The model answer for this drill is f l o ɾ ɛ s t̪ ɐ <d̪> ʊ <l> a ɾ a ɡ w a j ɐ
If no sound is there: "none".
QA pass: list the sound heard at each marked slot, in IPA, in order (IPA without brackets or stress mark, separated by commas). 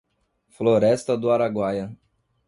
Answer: d̪, none